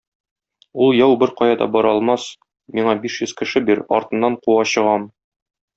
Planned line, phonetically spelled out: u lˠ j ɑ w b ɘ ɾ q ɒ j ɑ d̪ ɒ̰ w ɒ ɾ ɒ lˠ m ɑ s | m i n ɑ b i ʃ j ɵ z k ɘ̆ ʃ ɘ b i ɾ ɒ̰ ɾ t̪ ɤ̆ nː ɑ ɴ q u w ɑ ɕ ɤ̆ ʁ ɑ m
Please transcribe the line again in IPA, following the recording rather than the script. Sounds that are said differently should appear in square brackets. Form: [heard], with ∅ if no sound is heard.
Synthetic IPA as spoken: u lˠ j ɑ w b ɘ ɾ q ɒ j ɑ d̪ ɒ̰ [b] ɒ ɾ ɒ lˠ m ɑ s | m i [ɴ] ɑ b i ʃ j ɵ z k ɘ̆ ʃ ɘ b i ɾ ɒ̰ ɾ t̪ ɤ̆ nː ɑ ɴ q u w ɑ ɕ ɤ̆ ʁ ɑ m